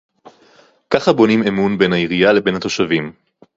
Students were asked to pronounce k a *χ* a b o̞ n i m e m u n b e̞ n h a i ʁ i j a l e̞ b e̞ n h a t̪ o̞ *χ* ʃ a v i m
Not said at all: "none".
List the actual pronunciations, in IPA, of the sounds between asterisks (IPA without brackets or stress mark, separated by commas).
χ, none